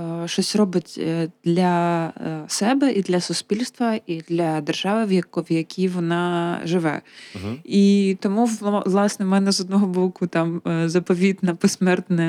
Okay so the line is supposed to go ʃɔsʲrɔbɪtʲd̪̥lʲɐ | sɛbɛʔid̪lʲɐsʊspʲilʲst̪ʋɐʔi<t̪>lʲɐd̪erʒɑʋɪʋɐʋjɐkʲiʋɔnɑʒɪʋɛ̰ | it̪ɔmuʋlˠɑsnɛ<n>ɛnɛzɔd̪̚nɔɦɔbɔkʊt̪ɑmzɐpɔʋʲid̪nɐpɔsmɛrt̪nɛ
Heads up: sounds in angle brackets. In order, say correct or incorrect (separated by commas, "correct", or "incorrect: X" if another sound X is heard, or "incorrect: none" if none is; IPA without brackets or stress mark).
incorrect: d̪, incorrect: m